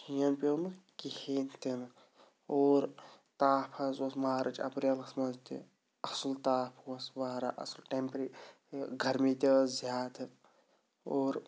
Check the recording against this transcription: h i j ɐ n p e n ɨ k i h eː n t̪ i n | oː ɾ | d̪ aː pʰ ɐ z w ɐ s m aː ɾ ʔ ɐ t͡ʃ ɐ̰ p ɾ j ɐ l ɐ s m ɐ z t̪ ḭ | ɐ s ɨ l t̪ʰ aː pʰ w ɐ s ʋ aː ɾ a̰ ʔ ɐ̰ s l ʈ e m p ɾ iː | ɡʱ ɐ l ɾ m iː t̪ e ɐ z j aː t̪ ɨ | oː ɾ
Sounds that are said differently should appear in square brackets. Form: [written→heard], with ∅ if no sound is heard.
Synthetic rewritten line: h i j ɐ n p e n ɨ k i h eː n t̪ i n | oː ɾ | [d̪→t̪] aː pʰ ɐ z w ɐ s m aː ɾ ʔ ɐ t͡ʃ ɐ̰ p ɾ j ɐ l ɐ s m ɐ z t̪ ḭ | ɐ s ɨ l [t̪ʰ→t̪] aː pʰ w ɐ s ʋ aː ɾ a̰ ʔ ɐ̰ s l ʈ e m p ɾ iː | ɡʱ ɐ [l→∅] ɾ m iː t̪ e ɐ z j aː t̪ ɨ | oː ɾ